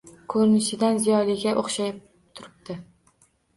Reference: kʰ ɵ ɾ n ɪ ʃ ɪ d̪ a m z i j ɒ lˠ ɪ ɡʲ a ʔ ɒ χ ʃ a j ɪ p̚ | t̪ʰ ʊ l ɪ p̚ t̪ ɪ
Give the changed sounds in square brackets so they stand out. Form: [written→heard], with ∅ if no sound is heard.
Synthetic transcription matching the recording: kʰ ɵ ɾ n ɪ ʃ ɪ d̪ a [m→n] z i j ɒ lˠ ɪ ɡʲ a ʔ [ɒ→o] χ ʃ a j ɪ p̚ | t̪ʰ ʊ [l→ɾ] ɪ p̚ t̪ ɪ